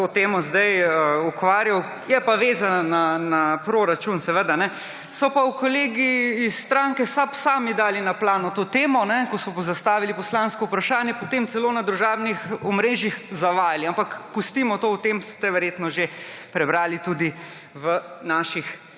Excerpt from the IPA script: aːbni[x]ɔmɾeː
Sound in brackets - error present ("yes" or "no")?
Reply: no